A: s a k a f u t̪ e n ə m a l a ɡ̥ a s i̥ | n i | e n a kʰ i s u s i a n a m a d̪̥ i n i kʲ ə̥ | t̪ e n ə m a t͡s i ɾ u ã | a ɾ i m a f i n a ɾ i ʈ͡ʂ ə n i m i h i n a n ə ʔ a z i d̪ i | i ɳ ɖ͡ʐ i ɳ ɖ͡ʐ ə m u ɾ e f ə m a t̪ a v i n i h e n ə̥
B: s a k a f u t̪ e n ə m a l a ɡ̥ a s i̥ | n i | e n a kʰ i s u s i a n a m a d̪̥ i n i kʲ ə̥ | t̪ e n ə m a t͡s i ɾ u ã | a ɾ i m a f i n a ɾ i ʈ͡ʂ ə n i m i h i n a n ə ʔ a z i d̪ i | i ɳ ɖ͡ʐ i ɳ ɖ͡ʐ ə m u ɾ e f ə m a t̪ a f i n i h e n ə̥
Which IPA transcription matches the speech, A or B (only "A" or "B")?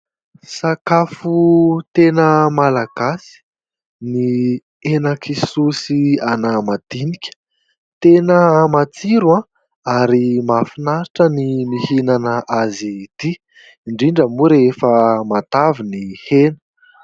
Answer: A